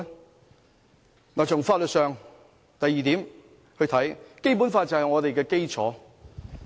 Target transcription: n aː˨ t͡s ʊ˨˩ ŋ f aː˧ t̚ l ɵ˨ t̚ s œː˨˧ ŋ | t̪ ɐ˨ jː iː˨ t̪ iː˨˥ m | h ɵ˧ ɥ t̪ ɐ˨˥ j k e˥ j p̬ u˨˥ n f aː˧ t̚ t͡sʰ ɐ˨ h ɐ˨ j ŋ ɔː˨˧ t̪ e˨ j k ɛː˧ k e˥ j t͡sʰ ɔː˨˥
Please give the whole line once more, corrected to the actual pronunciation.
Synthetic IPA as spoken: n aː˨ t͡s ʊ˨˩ ŋ f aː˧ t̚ l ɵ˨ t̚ s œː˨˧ ŋ | t̪ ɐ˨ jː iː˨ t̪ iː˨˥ m | h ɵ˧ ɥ t̪ʰ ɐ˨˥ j k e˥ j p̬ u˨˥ n f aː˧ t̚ t͡s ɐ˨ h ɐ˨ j ŋ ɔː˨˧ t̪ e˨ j k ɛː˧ k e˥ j t͡sʰ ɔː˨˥